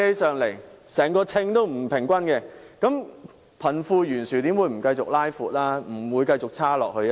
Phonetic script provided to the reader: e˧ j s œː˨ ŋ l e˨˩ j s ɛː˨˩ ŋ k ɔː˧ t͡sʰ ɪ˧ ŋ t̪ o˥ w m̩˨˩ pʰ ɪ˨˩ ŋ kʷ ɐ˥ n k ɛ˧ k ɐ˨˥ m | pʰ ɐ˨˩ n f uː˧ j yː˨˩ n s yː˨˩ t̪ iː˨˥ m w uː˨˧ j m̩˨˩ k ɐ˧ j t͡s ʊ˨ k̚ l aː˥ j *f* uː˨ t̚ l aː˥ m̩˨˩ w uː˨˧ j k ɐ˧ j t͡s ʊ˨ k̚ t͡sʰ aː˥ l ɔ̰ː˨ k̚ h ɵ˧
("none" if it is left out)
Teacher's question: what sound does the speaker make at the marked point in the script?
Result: f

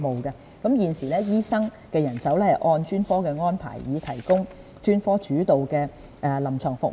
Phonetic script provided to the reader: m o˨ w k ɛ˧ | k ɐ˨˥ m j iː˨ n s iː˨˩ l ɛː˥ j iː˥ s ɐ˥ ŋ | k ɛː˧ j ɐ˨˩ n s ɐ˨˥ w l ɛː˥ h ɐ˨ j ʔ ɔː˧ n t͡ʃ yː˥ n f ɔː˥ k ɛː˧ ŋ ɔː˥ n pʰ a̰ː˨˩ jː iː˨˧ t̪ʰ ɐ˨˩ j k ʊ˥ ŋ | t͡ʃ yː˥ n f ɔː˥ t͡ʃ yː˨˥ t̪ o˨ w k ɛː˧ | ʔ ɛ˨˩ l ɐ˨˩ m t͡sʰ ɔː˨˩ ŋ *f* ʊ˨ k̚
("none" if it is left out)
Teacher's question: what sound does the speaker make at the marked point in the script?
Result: f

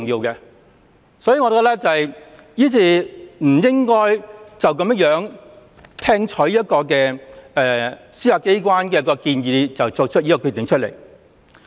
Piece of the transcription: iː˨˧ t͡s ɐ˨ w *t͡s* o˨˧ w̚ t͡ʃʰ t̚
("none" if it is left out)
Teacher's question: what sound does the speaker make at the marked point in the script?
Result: t͡s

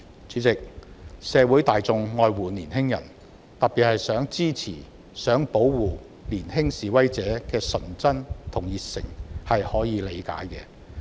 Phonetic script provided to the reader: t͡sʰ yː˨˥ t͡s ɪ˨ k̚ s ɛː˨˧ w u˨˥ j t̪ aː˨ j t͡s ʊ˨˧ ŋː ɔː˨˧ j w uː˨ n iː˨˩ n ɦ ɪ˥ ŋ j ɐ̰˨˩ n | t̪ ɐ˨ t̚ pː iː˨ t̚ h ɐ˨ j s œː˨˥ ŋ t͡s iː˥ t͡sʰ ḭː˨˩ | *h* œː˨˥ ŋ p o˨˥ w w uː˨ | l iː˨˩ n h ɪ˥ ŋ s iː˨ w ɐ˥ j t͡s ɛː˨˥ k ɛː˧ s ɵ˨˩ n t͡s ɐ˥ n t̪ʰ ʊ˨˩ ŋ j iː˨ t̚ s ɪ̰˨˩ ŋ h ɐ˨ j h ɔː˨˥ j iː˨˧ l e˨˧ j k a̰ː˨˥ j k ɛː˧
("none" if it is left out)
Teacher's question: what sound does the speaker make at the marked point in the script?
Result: s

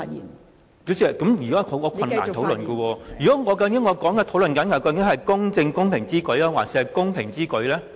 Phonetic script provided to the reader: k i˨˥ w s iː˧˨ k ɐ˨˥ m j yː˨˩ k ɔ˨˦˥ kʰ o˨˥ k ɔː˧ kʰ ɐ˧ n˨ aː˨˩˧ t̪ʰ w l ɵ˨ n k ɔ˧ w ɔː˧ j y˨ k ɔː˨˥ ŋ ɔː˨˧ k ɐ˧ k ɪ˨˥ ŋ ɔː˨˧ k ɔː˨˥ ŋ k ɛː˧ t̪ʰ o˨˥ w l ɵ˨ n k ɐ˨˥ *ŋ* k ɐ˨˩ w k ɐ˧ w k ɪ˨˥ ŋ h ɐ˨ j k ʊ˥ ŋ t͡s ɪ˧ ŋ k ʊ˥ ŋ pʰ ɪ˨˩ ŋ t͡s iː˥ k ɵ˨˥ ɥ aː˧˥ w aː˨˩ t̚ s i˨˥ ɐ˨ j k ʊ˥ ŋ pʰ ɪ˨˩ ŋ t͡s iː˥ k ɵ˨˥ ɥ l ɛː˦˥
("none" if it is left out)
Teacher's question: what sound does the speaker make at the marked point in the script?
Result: n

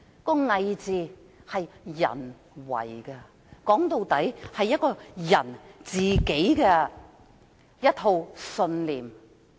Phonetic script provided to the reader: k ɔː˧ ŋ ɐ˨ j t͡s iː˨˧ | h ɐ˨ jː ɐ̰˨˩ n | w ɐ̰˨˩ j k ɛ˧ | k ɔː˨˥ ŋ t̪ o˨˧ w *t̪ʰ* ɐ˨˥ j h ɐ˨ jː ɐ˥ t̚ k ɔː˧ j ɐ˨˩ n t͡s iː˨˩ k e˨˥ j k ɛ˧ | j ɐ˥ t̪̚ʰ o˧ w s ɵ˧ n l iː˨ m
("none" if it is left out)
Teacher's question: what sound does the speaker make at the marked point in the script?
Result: t̪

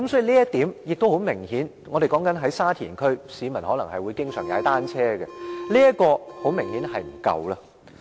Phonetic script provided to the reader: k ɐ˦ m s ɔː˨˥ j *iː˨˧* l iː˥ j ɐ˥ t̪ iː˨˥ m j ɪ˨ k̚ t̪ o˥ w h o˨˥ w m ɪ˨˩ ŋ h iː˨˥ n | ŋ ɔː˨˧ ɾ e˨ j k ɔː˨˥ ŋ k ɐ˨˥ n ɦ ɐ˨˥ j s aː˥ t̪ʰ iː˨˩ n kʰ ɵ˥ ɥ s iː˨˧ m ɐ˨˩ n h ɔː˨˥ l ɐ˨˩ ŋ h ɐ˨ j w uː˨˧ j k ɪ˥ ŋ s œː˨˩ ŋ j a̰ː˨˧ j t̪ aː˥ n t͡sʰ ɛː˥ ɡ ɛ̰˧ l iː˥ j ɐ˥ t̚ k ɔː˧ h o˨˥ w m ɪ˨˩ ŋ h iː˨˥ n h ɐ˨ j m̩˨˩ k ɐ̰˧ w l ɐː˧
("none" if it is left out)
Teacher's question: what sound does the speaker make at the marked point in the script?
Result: i˨˧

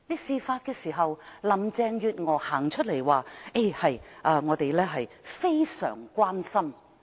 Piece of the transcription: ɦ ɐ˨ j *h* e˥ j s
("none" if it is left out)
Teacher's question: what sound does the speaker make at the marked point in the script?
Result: f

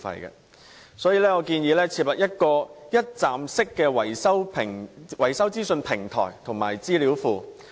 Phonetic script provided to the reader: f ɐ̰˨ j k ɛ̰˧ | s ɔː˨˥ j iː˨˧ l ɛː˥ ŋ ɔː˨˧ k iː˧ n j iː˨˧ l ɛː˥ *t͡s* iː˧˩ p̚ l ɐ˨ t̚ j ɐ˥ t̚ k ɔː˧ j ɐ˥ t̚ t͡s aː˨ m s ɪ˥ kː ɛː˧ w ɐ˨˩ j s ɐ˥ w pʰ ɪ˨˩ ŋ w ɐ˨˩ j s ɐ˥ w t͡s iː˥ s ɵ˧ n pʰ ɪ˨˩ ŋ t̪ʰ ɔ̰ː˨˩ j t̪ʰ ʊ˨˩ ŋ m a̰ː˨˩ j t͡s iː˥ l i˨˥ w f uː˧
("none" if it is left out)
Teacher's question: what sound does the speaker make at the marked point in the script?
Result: t͡sʰ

